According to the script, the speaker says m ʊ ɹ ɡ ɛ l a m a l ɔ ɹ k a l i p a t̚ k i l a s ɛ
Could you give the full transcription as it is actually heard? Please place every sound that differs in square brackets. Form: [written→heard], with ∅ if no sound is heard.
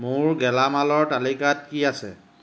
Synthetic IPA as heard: m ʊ ɹ ɡ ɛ l a m a l ɔ ɹ [k→t] a l i [p→k] a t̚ k i [l→∅] a s ɛ